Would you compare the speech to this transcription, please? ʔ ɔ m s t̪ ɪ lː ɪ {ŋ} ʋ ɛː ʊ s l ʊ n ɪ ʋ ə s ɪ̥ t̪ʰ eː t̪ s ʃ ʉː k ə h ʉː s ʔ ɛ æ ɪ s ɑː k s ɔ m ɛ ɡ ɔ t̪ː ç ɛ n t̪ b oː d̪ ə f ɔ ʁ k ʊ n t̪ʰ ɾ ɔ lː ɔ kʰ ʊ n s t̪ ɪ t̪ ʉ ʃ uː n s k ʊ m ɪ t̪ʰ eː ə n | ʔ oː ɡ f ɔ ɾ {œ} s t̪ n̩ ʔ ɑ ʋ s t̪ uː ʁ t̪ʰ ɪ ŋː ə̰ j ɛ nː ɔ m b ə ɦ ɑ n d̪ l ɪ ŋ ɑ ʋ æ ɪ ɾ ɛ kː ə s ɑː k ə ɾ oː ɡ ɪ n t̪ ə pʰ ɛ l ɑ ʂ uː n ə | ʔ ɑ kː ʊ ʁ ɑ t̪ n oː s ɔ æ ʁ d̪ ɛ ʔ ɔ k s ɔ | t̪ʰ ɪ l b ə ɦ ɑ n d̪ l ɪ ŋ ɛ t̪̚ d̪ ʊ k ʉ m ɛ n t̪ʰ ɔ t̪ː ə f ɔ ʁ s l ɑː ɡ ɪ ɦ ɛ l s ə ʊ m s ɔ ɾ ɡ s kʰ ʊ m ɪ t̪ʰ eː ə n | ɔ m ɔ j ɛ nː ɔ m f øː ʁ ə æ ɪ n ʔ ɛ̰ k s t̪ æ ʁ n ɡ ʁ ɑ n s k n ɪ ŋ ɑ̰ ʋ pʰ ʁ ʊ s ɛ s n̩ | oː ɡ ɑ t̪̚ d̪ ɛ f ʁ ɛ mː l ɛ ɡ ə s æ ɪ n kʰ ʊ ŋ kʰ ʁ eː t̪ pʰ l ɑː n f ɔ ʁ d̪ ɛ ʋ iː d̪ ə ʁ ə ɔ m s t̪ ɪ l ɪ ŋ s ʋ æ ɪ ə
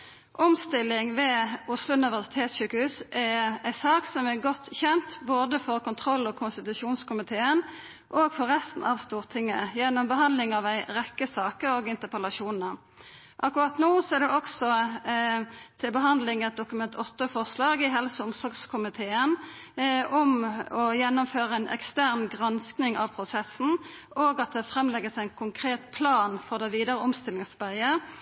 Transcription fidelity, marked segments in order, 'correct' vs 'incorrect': correct, incorrect: ɛ

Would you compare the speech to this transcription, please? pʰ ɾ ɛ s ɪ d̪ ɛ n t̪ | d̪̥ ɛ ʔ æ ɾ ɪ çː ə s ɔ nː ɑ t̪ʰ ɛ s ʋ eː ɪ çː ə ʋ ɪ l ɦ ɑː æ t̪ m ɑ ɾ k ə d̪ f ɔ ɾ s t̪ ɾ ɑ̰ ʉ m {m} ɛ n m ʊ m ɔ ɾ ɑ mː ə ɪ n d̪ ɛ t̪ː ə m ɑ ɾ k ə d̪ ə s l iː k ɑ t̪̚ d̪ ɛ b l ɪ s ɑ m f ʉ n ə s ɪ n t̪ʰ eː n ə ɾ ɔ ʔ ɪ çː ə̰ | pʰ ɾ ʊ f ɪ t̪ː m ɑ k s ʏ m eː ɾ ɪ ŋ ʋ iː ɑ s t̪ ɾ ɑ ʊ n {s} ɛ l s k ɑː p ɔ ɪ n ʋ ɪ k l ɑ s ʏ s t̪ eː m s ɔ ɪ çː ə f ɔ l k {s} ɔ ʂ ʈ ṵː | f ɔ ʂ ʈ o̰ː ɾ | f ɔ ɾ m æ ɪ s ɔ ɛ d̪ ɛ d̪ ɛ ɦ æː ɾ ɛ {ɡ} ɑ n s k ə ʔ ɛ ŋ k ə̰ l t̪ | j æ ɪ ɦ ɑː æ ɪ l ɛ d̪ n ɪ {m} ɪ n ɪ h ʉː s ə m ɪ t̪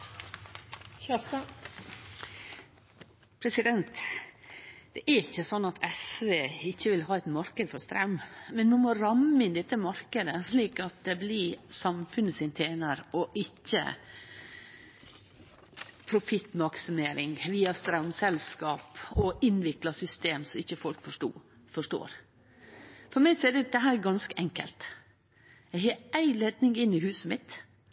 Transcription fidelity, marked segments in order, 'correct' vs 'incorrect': correct, correct, incorrect: f, correct, incorrect: ŋ

